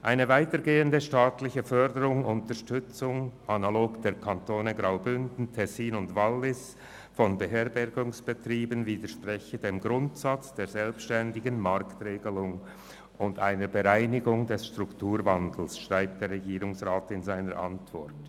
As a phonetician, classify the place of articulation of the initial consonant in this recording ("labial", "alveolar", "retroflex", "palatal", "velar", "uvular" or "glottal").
glottal